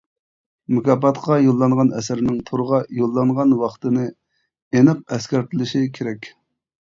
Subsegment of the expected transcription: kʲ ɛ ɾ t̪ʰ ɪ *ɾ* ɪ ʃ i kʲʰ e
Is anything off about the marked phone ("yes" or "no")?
yes